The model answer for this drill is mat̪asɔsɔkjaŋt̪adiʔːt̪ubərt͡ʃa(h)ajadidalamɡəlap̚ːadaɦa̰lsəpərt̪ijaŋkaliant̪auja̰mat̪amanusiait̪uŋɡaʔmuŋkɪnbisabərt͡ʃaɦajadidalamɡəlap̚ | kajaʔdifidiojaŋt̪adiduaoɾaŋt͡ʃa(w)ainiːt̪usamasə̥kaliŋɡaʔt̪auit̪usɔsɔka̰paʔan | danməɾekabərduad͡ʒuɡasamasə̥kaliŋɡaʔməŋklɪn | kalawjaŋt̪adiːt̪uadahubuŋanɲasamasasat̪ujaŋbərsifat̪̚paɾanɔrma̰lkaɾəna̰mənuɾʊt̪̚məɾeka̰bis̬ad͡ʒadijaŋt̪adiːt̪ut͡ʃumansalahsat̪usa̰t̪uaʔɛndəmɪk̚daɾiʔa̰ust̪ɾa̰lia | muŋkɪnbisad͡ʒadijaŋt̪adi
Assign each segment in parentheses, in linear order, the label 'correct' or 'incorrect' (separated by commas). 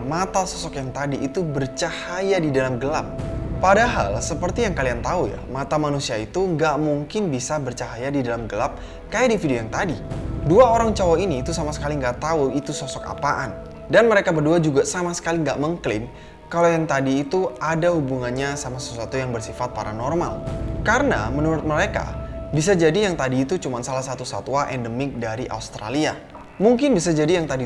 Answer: correct, correct